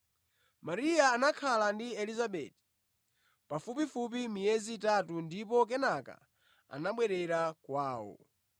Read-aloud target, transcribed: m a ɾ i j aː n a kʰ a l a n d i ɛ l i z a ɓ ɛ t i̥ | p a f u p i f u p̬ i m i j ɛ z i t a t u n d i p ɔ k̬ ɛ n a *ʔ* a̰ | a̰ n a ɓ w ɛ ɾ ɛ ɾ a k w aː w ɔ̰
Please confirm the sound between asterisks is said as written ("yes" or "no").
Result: no